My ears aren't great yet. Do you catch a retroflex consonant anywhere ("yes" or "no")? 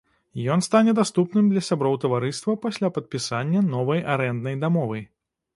no